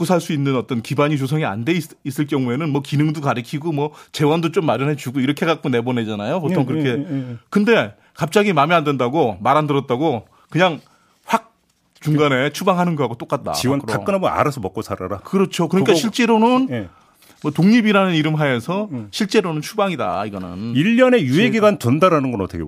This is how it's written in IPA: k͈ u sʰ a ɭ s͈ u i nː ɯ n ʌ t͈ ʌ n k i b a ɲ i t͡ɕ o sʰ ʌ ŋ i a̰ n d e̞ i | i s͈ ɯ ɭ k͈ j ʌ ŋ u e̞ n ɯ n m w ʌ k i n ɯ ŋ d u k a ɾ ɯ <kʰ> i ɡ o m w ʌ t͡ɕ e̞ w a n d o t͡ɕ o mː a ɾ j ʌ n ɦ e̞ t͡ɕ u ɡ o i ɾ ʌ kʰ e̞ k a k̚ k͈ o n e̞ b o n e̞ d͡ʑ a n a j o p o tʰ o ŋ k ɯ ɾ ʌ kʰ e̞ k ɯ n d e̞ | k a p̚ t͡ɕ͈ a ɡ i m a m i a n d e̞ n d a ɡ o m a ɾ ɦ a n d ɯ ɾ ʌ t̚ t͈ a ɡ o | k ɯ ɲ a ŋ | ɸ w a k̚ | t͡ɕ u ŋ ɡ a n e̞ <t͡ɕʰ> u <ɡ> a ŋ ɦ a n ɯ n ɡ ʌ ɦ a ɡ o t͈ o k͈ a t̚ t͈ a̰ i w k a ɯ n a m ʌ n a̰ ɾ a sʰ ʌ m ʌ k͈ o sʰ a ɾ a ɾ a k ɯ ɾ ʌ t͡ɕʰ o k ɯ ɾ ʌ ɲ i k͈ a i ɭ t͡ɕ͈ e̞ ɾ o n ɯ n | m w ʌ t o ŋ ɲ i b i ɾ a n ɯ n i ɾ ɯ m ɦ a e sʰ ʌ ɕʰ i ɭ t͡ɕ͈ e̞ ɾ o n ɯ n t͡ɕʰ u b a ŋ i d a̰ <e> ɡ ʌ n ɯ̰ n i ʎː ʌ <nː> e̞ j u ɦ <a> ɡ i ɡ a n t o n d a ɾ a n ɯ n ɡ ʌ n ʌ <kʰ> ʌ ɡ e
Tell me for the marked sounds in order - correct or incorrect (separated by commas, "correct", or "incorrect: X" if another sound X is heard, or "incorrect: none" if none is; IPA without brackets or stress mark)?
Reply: correct, correct, incorrect: b, incorrect: i, incorrect: n, incorrect: e, incorrect: tʰ